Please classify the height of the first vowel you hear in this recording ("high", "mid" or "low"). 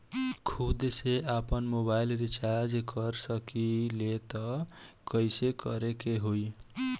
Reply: high